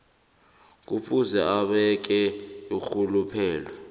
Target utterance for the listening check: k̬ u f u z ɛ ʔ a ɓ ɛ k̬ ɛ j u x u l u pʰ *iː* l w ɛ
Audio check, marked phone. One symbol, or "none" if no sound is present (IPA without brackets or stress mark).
ɛː